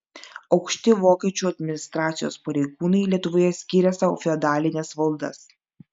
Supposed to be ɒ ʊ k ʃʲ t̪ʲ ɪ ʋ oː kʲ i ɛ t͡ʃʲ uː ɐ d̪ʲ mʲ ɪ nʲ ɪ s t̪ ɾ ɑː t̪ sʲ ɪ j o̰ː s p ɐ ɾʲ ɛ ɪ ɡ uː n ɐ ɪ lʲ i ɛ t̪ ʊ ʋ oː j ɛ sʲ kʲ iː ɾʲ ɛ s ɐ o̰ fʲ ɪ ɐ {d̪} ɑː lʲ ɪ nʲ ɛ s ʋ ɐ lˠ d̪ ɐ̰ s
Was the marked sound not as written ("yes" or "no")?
no